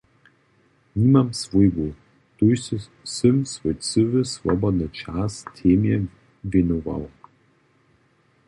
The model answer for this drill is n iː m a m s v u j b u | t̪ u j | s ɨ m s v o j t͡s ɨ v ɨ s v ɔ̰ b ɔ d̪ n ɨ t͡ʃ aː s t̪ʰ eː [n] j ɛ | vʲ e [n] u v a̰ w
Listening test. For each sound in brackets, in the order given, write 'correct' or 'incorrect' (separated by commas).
incorrect, correct